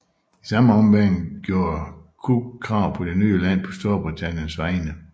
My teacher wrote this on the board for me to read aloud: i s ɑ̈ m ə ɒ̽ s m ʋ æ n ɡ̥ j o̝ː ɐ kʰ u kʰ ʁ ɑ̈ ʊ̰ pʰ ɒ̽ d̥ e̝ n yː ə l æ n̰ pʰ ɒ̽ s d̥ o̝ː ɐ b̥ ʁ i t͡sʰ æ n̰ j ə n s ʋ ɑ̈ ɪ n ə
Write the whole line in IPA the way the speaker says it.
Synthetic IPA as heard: i s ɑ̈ m ə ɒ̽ m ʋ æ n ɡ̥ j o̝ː ɐ kʰ u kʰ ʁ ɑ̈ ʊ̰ pʰ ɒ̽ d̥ e̝ n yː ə l æ n̰ pʰ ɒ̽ s d̥ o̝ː ɐ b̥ ʁ i t͡sʰ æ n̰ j ə n s ʋ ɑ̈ ɪ n ə